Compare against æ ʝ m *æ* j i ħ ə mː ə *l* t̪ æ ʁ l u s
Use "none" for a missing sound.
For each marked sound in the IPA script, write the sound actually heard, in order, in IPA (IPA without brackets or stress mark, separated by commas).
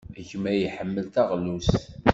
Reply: æ, l